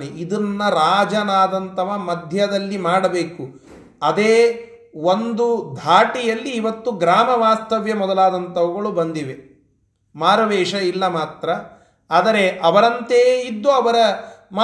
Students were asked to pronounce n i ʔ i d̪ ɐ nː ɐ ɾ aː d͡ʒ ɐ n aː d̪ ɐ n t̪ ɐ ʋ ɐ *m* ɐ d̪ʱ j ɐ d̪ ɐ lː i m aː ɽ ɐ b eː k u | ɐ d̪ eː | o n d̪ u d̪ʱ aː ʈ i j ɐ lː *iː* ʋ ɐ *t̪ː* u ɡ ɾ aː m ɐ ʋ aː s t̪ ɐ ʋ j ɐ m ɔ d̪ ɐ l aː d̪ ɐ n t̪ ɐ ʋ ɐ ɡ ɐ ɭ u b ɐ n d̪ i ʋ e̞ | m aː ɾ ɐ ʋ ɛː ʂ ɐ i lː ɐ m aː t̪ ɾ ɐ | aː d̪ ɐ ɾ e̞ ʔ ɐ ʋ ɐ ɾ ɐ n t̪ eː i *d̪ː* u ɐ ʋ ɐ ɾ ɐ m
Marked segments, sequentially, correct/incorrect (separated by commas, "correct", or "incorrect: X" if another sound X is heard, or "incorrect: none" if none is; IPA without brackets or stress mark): correct, correct, correct, correct